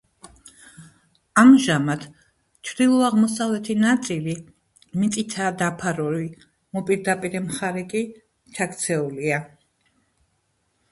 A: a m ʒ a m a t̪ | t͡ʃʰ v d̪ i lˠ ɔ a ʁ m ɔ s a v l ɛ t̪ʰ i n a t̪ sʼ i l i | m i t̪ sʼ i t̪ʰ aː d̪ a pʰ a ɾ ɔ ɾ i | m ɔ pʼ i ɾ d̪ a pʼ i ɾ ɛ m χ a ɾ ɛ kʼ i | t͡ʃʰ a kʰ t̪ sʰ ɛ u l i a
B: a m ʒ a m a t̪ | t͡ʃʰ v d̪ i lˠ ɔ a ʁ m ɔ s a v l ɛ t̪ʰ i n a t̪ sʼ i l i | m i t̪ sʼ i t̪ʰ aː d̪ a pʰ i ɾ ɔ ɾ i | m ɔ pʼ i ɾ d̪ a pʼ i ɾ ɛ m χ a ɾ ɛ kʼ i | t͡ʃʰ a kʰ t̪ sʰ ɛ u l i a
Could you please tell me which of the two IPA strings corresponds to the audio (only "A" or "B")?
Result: A